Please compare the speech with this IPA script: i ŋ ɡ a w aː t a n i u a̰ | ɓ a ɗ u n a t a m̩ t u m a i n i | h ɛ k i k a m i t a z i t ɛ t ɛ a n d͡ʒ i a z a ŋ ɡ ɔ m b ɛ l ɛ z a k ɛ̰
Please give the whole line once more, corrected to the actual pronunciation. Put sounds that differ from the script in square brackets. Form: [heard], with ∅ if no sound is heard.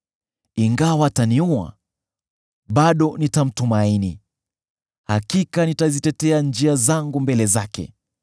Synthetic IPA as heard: i ŋ ɡ a w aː t a n i u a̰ | ɓ a ɗ [ɔ] n [i] t a m̩ t u m a i n i | h [a] k i k a [n] i t a z i t ɛ t ɛ a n d͡ʒ i a z a ŋ ɡ [u] m b ɛ l ɛ z a k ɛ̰